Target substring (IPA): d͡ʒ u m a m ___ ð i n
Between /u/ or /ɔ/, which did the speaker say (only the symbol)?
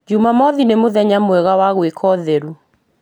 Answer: ɔ